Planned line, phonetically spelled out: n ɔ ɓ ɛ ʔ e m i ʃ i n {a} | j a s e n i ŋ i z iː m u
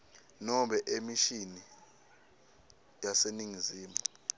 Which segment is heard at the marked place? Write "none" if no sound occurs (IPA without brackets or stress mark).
i